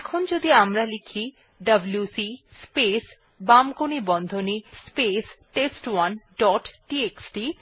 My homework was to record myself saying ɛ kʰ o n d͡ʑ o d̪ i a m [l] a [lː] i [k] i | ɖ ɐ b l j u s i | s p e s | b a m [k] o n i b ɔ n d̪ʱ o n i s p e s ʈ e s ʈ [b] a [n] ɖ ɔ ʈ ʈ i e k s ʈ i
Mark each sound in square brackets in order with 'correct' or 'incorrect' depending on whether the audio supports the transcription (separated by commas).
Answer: incorrect, incorrect, incorrect, correct, incorrect, correct